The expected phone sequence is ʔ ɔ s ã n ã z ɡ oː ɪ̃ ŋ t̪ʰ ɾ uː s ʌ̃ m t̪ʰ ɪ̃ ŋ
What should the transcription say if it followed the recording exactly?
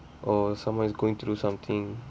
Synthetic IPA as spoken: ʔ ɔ s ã m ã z ɡ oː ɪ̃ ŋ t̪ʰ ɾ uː s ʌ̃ m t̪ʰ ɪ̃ ŋ